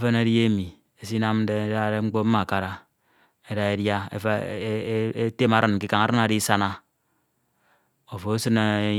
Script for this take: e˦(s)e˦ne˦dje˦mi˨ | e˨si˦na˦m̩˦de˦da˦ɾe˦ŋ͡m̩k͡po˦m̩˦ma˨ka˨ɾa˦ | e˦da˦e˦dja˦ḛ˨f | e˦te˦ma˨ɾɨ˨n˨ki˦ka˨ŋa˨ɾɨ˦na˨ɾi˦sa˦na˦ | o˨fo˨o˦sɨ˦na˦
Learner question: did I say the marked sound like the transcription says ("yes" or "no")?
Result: no